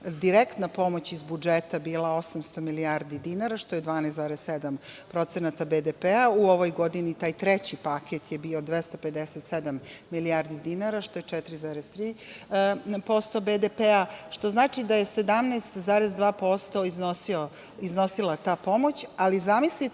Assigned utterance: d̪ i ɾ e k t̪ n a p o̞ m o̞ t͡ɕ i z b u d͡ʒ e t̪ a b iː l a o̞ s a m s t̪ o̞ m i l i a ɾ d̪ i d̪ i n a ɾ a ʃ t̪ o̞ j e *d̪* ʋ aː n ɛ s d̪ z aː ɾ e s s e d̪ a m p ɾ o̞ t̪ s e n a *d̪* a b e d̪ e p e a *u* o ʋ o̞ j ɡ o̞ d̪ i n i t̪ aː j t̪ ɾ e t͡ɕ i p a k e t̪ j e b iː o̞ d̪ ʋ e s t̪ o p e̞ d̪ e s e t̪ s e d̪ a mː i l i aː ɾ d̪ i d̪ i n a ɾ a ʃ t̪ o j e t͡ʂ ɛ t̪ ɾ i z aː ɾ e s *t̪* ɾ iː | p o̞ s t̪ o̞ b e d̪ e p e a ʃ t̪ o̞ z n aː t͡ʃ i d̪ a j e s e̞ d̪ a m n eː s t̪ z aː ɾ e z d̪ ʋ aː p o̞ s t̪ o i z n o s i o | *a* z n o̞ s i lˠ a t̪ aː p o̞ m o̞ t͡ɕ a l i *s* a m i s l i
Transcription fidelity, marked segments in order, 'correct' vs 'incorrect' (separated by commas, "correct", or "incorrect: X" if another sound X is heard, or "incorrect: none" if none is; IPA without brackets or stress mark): correct, incorrect: t̪, correct, correct, incorrect: i, incorrect: z